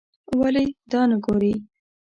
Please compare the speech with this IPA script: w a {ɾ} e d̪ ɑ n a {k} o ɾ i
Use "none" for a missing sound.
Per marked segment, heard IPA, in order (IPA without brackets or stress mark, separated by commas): l, ɡ